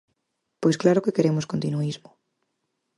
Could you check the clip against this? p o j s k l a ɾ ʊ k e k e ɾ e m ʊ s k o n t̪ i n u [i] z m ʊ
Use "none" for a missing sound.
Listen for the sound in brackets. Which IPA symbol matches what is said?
i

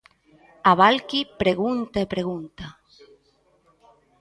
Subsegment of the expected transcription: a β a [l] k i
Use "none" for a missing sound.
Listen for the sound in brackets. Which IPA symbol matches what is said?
l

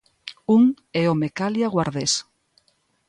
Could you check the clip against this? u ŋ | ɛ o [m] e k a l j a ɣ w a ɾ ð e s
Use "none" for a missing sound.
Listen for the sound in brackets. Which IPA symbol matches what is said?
m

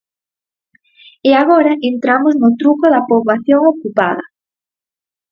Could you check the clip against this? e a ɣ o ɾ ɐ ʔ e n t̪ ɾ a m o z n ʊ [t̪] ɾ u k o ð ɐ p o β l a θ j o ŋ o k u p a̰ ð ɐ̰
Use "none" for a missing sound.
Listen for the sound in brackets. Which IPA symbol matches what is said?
t̪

